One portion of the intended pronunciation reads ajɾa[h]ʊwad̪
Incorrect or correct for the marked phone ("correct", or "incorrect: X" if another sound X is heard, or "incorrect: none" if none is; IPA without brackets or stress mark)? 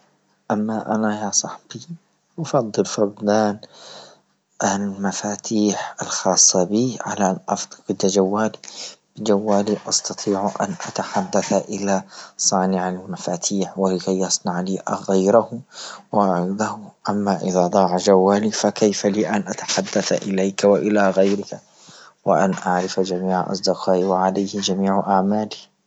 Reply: correct